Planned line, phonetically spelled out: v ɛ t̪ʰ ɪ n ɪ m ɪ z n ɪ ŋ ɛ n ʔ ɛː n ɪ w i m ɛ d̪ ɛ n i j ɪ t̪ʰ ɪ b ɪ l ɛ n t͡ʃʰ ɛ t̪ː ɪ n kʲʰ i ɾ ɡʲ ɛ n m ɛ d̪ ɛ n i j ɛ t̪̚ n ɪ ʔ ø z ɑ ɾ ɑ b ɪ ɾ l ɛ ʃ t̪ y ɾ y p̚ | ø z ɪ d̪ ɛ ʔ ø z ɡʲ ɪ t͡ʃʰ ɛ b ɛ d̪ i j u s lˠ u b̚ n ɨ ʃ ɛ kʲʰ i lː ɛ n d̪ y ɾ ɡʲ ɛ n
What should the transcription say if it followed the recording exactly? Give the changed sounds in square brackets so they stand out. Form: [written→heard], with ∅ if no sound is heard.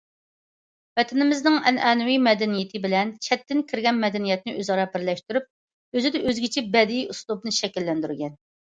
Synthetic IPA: v ɛ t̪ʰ ɪ n ɪ m ɪ z n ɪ ŋ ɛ n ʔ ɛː n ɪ w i m ɛ d̪ ɛ n i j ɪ t̪ʰ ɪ b ɪ l ɛ n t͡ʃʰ ɛ t̪ː ɪ n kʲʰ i ɾ ɡʲ ɛ n m ɛ d̪ ɛ n i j ɛ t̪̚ n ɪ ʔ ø z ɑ ɾ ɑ b ɪ ɾ l ɛ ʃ t̪ y ɾ y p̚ | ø z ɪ d̪ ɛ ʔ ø z ɡʲ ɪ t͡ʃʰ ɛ b ɛ d̪ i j u s lˠ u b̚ n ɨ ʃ ɛ [kʲʰ→kʲ] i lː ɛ n d̪ y ɾ ɡʲ ɛ n